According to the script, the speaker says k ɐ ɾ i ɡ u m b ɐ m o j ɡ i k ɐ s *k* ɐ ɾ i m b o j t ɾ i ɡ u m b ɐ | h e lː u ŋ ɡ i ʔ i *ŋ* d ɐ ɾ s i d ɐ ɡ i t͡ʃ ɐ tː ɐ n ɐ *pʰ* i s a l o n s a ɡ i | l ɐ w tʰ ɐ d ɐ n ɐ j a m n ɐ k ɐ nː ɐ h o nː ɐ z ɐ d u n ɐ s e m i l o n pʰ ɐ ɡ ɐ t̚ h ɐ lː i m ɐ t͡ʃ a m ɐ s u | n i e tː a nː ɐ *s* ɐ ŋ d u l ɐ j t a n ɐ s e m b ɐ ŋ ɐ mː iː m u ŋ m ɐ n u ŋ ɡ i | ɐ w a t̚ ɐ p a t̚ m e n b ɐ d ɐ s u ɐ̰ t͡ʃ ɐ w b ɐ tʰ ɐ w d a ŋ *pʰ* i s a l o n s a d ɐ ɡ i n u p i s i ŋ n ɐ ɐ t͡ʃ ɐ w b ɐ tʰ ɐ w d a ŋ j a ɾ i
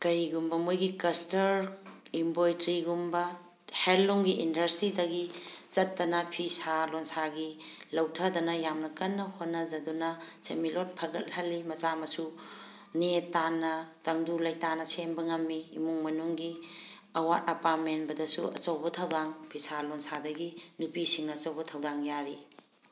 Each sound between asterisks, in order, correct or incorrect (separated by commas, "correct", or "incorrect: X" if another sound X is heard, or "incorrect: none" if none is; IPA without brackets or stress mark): incorrect: t, incorrect: n, correct, incorrect: t, correct